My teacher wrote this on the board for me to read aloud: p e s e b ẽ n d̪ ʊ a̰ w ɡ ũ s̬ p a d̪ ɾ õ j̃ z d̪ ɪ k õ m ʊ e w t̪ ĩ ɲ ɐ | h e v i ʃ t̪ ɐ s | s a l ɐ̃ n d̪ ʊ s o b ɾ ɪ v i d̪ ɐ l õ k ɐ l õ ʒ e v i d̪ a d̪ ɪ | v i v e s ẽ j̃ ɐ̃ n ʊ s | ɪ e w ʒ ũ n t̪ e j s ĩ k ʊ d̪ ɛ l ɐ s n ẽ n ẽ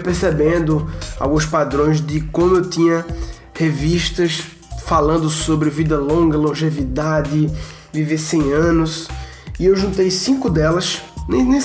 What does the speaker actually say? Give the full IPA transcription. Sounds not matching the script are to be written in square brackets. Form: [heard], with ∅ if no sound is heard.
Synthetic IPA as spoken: p e s e b ẽ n d̪ ʊ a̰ w ɡ ũ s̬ p a d̪ ɾ õ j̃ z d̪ ɪ k õ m ʊ e w t̪ ĩ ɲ ɐ | h e v i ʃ t̪ ɐ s | [f] a l ɐ̃ n d̪ ʊ s o b ɾ ɪ v i d̪ ɐ l õ [ɡ] ɐ l õ ʒ e v i d̪ a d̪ ɪ | v i v e s ẽ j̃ ɐ̃ n ʊ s | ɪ e w ʒ ũ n t̪ e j s ĩ k ʊ d̪ ɛ l ɐ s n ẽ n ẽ